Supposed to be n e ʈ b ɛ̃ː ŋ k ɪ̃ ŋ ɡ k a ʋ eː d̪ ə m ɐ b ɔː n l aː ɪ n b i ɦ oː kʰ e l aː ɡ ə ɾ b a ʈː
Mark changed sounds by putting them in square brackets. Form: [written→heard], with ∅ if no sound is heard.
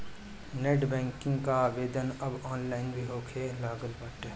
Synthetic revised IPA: n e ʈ b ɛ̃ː ŋ k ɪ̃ ŋ ɡ k a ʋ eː d̪ ə [m→n] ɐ b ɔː n l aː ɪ n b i ɦ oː kʰ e l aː ɡ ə [ɾ→l] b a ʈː